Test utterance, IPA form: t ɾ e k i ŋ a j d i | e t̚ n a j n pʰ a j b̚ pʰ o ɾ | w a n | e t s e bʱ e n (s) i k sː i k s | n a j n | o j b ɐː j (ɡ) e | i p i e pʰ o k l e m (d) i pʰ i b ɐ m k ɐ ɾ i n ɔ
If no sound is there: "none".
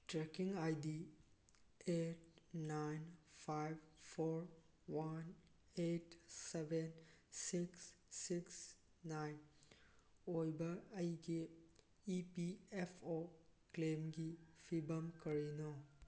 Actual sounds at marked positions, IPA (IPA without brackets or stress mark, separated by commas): s, ɡ, ɡ